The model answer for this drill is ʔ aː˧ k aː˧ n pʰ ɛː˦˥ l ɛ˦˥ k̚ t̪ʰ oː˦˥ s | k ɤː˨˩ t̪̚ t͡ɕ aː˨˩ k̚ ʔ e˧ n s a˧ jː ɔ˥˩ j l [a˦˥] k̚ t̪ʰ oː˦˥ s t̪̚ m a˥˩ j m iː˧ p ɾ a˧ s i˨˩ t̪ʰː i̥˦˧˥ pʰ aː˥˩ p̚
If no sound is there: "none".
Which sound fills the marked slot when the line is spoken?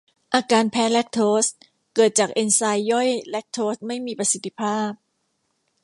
ɛ˦˥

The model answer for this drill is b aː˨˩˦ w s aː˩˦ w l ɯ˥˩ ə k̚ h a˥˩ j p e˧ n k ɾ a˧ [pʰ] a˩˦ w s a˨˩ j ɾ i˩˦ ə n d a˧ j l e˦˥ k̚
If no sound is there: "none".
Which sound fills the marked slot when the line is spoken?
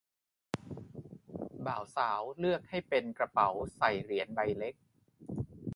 p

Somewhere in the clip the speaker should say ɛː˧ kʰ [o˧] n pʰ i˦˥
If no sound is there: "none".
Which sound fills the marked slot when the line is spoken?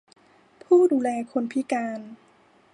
o˧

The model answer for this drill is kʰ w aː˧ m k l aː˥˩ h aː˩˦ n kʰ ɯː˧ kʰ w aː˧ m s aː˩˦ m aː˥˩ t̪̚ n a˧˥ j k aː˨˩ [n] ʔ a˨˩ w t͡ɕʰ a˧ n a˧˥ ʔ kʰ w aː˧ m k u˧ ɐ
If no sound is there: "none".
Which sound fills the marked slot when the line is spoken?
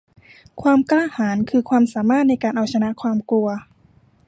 n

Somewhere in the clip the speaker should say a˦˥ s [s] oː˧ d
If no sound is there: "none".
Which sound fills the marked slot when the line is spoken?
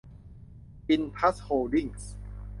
h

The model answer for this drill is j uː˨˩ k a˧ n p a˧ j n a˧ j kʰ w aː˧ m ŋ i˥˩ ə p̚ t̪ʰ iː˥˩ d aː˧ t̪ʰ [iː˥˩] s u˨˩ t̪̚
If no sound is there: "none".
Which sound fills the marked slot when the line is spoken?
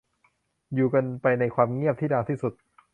iː˥˩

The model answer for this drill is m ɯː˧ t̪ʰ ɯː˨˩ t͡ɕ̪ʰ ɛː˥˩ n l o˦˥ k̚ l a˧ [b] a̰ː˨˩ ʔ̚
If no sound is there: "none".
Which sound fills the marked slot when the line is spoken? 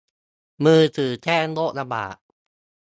b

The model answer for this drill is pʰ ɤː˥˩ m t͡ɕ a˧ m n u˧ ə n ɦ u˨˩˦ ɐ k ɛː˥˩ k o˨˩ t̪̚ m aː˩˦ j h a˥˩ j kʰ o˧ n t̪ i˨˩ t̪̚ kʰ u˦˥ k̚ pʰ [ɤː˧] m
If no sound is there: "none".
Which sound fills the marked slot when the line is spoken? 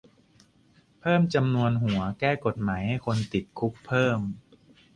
ɤː˥˩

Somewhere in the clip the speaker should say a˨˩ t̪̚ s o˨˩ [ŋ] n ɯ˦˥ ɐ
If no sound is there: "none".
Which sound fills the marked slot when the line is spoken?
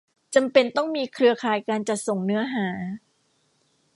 ŋ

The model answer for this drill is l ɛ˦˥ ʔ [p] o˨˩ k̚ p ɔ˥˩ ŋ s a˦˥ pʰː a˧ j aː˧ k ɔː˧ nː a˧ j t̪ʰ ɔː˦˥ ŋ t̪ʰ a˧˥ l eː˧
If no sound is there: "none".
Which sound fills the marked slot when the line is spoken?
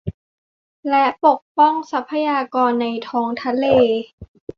p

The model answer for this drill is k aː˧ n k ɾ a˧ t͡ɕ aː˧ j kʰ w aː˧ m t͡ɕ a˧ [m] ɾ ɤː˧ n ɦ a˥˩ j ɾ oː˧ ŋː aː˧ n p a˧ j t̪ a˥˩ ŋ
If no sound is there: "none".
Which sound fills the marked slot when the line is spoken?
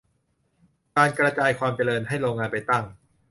none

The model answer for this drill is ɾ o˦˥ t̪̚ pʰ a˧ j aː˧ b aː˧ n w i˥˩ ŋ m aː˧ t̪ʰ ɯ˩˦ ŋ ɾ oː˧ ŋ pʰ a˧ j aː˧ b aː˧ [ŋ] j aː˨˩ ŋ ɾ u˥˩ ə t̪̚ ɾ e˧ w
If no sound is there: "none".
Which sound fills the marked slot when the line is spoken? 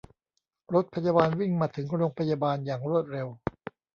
n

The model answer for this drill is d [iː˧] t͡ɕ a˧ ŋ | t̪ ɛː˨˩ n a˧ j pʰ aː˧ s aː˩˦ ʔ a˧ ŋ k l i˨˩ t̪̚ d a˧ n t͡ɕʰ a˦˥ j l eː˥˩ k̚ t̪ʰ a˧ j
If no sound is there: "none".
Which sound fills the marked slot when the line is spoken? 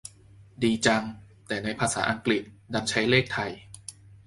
iː˧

